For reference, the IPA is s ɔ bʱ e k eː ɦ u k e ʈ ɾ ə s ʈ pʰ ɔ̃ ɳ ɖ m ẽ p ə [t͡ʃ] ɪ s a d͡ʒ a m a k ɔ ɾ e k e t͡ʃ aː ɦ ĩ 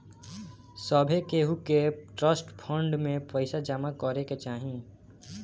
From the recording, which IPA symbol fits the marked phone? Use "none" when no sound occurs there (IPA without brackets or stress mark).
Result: none